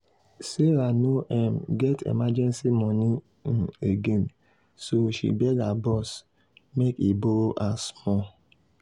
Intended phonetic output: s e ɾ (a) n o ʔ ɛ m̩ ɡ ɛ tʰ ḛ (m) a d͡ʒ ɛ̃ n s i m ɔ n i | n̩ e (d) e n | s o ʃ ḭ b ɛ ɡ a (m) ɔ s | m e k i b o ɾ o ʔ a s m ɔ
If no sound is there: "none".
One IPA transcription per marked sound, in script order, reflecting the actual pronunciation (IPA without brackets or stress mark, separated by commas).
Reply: a, m, ɡ, b